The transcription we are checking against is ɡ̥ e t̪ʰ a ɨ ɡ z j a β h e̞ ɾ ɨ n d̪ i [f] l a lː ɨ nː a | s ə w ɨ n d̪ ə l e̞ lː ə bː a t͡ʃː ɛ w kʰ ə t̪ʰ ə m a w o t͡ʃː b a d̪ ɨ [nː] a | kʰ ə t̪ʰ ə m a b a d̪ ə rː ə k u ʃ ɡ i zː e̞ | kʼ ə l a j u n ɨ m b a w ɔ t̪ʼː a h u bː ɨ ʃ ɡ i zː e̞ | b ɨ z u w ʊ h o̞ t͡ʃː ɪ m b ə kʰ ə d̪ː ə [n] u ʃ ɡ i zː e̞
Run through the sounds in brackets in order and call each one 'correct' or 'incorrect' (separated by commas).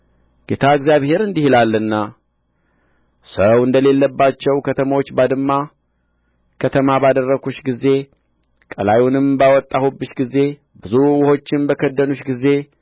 incorrect, incorrect, correct